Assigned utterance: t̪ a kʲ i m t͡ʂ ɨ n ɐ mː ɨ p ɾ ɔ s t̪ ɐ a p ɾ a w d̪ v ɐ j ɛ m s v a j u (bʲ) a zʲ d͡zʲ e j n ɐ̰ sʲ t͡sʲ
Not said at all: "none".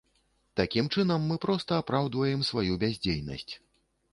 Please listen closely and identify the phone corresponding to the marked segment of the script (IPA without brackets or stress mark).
bʲ